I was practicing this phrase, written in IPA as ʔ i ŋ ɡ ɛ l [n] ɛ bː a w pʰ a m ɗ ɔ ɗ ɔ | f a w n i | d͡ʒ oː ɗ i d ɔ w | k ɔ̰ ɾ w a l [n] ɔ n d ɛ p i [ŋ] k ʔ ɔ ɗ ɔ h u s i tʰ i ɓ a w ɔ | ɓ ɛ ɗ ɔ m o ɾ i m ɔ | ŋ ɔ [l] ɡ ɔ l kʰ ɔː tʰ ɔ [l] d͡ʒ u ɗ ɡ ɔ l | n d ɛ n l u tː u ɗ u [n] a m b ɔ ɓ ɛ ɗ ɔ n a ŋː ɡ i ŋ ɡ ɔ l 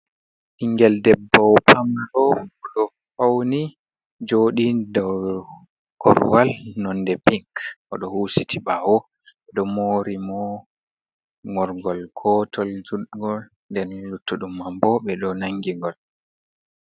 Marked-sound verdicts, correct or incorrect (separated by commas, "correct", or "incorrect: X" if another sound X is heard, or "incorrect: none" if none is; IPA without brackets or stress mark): incorrect: d, correct, correct, incorrect: ɾ, correct, incorrect: m